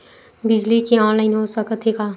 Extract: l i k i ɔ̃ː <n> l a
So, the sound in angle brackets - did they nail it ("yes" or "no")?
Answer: yes